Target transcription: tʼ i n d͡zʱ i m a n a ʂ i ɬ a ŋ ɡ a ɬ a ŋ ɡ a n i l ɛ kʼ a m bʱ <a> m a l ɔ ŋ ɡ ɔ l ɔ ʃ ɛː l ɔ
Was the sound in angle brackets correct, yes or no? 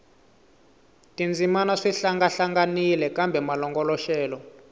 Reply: no